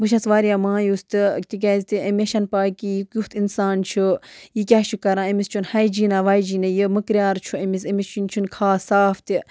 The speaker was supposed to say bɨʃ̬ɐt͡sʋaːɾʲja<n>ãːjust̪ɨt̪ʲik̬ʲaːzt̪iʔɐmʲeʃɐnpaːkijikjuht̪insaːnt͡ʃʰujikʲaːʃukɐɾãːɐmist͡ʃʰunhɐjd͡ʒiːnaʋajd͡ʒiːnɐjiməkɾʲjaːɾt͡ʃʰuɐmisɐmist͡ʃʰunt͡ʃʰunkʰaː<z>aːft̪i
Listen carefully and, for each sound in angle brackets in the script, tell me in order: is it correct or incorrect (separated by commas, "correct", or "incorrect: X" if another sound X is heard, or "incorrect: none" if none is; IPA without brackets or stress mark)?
incorrect: m, incorrect: s